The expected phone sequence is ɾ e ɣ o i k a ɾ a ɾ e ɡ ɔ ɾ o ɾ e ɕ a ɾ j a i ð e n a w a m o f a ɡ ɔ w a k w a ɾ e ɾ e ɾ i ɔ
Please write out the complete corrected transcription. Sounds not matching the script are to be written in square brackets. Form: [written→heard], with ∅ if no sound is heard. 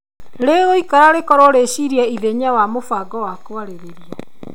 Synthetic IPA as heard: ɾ e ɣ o i k a ɾ a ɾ e [ɡ→k] ɔ ɾ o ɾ e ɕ [a→i] ɾ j a i ð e [n→ɲ] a w a m o f a ɡ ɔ w a k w a ɾ e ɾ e ɾ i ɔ